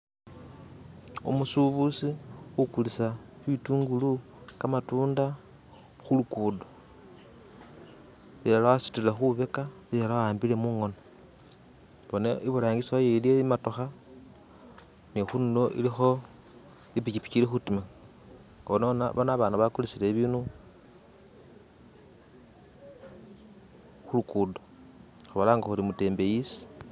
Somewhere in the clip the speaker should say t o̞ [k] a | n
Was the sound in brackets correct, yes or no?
no